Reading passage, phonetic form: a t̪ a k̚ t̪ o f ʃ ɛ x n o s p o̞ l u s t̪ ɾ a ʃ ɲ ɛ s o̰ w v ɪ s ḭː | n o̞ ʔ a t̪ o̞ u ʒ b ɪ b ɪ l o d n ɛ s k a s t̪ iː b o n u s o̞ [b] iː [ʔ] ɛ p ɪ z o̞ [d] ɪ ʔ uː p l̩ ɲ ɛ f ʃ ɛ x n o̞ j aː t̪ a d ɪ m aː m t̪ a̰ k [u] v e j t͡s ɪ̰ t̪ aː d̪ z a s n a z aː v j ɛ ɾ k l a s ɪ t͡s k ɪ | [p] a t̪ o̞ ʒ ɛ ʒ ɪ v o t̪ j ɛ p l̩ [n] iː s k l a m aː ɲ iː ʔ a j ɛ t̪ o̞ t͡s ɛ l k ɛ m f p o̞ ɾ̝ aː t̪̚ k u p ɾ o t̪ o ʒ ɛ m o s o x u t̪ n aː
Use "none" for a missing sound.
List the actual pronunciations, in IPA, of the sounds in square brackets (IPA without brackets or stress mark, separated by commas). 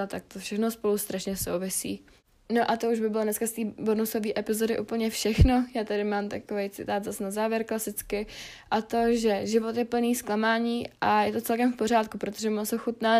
v, ʔ, d, o, ʔ, n